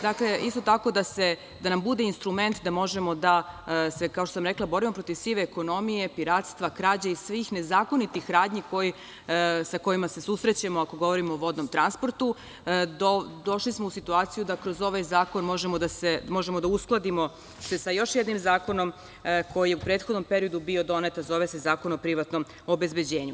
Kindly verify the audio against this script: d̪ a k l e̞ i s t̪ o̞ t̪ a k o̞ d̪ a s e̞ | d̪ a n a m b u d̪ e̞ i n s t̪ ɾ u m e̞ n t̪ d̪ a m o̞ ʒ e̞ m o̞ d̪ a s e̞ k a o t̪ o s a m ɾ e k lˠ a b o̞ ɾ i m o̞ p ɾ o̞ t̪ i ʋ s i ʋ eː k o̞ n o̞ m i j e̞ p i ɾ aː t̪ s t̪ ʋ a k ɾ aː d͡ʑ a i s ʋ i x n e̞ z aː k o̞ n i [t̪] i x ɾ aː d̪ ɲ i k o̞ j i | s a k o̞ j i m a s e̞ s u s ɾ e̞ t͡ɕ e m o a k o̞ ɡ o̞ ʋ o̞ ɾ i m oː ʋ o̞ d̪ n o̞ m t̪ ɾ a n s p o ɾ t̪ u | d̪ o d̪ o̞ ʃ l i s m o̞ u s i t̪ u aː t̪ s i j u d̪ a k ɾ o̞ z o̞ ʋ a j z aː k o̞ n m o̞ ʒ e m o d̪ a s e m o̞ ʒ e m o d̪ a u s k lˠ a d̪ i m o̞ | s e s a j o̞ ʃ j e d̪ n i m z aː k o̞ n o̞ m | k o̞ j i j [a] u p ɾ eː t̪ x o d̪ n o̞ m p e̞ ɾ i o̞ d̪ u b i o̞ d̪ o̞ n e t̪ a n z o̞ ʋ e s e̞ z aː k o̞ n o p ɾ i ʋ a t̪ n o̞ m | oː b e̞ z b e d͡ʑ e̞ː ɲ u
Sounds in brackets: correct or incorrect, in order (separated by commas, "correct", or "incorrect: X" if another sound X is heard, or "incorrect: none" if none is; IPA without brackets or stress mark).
correct, incorrect: e